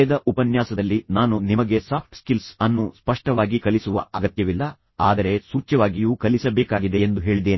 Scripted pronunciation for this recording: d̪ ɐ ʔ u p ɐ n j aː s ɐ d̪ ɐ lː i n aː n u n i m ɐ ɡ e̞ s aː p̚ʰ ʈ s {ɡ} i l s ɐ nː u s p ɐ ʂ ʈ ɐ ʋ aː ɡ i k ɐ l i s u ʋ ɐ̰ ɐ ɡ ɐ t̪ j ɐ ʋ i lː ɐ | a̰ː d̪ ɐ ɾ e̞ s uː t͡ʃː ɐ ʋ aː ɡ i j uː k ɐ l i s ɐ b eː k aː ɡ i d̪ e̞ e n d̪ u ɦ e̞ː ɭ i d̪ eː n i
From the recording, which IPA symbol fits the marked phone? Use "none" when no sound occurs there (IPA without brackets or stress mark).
k